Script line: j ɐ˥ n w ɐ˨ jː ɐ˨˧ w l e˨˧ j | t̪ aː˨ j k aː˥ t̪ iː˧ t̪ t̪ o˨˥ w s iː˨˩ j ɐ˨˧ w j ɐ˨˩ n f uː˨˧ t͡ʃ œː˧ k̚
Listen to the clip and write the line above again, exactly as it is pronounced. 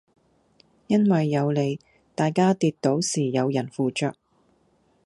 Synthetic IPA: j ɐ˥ n w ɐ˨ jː ɐ˨˧ w l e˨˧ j | t̪ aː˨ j k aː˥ t̪ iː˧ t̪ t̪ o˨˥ w s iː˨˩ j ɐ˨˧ w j ɐ˨˩ n f uː˨˧ t͡ʃ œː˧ k̚